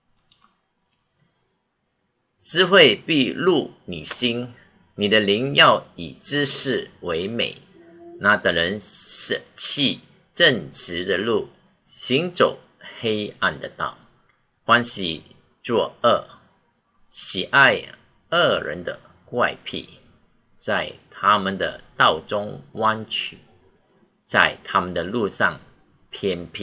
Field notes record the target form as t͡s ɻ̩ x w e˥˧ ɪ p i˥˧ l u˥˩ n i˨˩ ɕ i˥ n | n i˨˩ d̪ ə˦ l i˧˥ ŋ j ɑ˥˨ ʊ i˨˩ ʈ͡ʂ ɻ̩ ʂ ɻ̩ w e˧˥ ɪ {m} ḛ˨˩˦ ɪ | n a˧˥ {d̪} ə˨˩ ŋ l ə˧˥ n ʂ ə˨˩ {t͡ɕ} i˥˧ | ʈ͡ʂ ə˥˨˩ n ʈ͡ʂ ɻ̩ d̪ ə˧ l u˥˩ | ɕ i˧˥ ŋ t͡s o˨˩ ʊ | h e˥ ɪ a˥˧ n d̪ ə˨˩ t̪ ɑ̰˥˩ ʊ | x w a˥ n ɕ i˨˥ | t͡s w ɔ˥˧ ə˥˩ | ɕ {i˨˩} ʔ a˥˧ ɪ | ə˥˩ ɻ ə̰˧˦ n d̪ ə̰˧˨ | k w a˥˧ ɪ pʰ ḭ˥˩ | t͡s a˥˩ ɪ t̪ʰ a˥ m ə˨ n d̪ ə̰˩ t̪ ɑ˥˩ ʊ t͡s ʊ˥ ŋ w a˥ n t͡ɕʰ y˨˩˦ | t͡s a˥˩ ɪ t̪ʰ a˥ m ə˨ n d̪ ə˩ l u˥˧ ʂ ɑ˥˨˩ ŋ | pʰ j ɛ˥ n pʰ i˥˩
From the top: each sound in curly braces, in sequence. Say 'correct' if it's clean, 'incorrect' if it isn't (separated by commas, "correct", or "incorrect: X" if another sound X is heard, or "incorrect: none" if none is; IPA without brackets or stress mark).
correct, incorrect: t̪, incorrect: t͡ɕʰ, correct